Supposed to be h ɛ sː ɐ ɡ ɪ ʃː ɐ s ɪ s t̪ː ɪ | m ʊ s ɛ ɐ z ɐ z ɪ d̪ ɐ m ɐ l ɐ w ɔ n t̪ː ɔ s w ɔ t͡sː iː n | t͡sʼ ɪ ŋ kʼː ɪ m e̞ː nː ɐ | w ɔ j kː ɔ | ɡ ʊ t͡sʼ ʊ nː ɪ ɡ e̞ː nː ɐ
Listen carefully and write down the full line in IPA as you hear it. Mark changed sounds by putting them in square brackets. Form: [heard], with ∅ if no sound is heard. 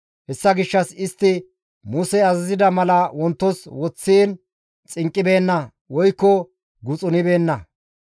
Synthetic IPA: h ɛ sː ɐ ɡ ɪ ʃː ɐ s ɪ s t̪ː ɪ | m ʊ s ɛ ɐ z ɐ z ɪ d̪ ɐ m ɐ l ɐ w ɔ n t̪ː ɔ s w ɔ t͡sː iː n | t͡sʼ ɪ ŋ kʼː ɪ [b] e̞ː nː ɐ | w ɔ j kː ɔ | ɡ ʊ t͡sʼ ʊ [n] ɪ [b] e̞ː nː ɐ